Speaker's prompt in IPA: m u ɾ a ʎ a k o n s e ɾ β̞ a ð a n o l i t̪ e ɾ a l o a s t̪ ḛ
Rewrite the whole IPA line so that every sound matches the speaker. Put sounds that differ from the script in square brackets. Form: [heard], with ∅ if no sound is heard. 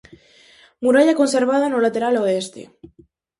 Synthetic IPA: m u ɾ a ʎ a k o n s e ɾ β̞ a ð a n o l [a] t̪ e ɾ a l o [e] s t̪ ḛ